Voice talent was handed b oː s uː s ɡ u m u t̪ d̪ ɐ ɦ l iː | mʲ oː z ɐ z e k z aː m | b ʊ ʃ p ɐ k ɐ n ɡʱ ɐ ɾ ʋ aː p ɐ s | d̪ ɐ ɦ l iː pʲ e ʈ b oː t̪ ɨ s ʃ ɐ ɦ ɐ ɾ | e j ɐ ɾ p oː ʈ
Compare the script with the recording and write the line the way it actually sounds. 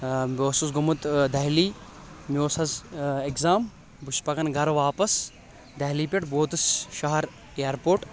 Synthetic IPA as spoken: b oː s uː s ɡ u m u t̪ d̪ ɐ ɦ l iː | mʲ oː s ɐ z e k z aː m | b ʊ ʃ p ɐ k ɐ n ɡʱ ɐ ɾ ʋ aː p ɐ s | d̪ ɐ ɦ l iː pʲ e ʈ b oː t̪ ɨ s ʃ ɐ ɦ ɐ ɾ | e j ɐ ɾ p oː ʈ